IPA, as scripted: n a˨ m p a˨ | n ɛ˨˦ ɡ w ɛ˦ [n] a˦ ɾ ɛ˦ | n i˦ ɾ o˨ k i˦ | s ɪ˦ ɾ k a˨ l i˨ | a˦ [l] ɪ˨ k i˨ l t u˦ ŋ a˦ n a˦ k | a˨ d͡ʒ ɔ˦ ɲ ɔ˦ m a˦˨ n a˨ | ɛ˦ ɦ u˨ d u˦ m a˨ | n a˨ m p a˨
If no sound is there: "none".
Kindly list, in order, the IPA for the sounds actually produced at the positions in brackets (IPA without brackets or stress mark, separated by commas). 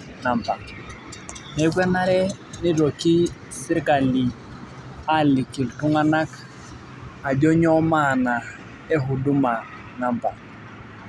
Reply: n, l